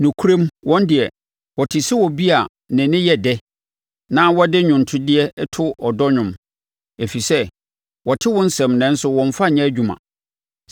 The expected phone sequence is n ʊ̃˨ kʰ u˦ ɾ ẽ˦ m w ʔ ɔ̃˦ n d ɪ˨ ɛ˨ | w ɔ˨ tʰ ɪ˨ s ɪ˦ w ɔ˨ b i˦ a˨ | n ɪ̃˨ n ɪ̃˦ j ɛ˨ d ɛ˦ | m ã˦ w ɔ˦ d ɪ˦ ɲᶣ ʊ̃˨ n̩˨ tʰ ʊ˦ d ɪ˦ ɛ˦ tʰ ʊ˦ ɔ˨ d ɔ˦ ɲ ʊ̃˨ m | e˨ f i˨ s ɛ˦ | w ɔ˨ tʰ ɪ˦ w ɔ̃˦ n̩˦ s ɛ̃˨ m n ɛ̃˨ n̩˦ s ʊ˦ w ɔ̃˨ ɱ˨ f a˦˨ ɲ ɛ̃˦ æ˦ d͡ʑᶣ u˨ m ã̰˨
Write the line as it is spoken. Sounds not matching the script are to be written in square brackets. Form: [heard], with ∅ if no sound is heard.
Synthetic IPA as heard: n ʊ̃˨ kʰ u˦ ɾ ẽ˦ m w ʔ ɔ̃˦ n d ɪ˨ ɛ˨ | w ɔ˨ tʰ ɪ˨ s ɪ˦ w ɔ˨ b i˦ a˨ | n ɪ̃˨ n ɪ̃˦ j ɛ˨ d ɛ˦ | [n] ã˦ w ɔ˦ d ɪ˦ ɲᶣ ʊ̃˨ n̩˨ tʰ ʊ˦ d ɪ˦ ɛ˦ tʰ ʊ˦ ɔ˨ d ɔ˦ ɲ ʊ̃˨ m | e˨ f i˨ s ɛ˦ | w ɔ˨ tʰ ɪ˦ w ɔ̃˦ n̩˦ s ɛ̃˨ m n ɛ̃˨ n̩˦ s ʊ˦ w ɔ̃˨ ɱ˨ f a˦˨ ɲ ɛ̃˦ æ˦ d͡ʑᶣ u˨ m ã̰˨